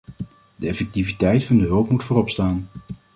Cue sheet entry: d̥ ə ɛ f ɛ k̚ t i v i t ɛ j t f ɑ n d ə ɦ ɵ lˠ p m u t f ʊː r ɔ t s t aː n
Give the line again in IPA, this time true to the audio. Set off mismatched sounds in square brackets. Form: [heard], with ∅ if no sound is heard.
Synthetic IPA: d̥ ə ɛ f ɛ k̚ t i v i t ɛ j t f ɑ n d ə ɦ ɵ lˠ p m u t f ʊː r ɔ [p] s t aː n

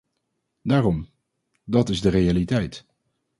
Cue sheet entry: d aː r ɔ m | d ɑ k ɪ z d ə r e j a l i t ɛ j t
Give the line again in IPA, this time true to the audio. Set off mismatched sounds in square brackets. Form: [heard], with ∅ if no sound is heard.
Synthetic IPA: d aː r ɔ m | d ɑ [t] ɪ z d ə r e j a l i t ɛ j t

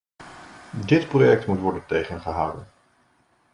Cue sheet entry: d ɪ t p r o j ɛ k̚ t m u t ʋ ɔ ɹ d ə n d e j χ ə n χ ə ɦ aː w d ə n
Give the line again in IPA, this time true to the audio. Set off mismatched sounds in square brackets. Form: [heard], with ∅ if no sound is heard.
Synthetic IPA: d ɪ t p r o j ɛ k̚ t m u t ʋ ɔ ɹ d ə n [t] e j χ ə n χ ə ɦ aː w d ə n

